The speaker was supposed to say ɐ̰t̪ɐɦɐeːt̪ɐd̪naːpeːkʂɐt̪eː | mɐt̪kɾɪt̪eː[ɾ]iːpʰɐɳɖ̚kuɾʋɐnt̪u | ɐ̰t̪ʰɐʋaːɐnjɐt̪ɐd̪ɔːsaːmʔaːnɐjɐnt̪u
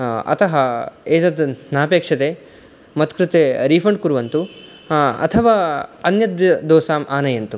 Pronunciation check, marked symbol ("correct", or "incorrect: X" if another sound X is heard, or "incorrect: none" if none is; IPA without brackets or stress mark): correct